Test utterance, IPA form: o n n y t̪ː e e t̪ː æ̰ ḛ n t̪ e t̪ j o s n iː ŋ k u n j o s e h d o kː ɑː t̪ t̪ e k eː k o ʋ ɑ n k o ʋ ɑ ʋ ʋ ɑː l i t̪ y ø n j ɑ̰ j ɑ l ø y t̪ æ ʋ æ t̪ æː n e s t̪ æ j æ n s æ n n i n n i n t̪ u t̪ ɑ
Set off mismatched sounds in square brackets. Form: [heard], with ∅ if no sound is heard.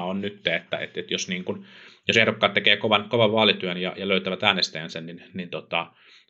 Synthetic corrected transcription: o n n y t̪ː e e t̪ː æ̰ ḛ [∅] t̪ e t̪ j o s n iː ŋ k u n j o s e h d o kː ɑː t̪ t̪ e k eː k o ʋ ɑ n k o ʋ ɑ ʋ ʋ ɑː l i t̪ y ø n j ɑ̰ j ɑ l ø y t̪ æ ʋ æ t̪ æː n e s t̪ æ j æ n s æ n n i n n i n t̪ [o] t̪ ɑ